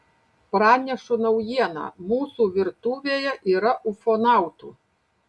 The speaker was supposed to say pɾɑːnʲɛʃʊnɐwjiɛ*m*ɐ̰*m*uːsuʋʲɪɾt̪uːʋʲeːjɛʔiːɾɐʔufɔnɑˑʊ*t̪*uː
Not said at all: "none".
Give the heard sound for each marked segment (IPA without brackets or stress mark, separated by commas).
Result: n, m, t̪